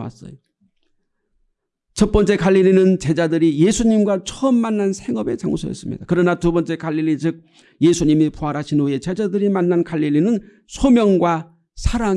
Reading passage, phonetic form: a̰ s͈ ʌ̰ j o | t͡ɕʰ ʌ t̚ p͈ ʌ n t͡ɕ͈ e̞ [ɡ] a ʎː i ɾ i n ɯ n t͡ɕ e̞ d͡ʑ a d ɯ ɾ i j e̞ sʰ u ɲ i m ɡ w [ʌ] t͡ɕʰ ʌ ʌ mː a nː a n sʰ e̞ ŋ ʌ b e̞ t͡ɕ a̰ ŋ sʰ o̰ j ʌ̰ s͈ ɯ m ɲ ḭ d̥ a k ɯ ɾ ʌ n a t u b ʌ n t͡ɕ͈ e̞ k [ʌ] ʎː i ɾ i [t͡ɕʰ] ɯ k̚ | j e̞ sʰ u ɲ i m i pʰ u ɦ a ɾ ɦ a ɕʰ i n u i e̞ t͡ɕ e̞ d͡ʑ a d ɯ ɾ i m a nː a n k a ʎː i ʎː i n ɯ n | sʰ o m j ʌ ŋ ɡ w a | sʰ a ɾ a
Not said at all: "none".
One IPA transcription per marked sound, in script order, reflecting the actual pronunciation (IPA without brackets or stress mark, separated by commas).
k, a, a, t͡ɕ